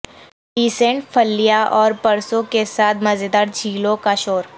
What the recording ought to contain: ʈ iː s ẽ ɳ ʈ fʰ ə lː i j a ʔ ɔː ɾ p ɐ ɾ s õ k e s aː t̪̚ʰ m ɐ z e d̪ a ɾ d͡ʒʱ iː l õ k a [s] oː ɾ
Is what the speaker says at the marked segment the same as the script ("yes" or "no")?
no